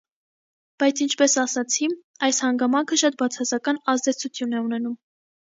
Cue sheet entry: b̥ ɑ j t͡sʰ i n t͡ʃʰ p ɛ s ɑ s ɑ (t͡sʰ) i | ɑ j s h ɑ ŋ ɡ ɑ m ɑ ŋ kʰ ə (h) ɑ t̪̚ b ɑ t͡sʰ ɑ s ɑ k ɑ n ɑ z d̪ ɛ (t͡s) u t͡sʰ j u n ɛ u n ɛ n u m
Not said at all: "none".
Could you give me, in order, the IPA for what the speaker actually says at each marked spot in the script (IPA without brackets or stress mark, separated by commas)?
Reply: t͡sʰ, ʃ, t͡sʰ